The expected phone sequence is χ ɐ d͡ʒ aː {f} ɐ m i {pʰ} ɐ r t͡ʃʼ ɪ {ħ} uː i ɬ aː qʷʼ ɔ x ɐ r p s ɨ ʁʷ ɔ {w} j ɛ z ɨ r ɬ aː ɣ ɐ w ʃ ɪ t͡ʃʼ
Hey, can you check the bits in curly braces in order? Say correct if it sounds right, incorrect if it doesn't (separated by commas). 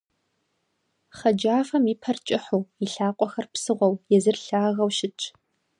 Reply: correct, correct, correct, correct